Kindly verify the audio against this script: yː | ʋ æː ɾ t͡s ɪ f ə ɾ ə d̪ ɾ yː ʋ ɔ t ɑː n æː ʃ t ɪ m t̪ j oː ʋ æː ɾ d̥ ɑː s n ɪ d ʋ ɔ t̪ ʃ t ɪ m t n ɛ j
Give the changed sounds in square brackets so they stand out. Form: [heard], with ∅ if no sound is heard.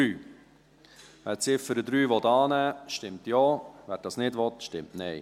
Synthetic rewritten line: yː | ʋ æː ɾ t͡s ɪ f ə ɾ ə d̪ ɾ yː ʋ ɔ t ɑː n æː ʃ t ɪ m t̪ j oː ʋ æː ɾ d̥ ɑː s n ɪ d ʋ ɔ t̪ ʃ t ɪ m t n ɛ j